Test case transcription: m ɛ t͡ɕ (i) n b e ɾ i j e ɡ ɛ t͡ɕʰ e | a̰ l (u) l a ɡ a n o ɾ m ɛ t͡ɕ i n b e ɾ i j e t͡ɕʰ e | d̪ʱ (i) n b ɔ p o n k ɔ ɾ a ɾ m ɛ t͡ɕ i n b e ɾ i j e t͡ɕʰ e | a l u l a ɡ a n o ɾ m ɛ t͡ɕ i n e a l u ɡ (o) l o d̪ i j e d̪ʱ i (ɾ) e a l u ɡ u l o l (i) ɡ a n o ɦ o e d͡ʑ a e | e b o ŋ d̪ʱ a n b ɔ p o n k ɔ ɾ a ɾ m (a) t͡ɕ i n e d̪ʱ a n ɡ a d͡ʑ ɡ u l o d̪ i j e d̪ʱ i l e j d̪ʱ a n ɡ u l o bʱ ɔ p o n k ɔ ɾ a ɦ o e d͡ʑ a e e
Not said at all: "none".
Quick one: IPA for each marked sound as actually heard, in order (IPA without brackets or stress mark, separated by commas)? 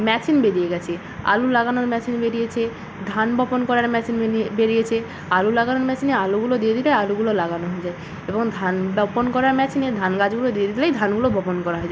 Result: i, u, a, u, l, a, ɛ